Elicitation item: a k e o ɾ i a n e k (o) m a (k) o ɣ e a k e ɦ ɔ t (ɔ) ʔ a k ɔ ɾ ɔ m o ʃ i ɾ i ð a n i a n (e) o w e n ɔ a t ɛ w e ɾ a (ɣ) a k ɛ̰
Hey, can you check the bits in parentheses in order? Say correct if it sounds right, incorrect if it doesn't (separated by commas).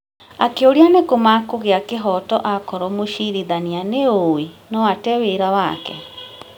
correct, correct, correct, correct, incorrect